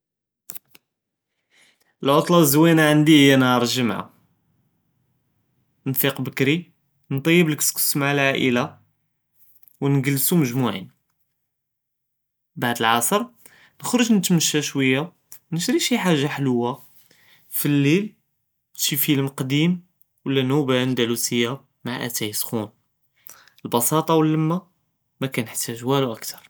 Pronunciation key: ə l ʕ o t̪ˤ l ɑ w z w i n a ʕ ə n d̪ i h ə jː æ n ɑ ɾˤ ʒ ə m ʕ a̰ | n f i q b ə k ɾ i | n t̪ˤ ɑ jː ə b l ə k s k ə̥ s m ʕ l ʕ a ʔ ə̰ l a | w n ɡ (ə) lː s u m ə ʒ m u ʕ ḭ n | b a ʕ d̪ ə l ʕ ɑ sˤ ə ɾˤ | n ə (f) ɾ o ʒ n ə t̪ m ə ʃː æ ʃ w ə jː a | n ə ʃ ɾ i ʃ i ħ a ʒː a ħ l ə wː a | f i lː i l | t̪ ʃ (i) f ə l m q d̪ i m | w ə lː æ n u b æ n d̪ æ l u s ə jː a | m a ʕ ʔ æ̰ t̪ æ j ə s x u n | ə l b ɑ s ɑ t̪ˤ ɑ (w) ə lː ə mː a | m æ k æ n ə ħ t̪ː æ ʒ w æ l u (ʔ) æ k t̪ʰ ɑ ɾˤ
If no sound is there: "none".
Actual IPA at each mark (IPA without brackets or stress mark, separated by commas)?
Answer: ə, x, i, w, ʔ